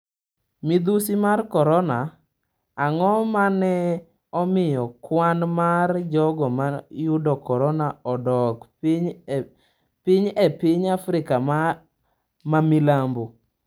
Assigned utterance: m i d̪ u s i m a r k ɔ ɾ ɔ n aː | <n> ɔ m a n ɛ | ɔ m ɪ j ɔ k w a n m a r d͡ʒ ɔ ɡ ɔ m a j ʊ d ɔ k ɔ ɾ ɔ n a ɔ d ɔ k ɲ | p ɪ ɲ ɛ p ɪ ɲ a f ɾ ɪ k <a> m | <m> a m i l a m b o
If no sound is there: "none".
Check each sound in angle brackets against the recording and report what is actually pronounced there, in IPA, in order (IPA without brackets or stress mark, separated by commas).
ŋ, a, m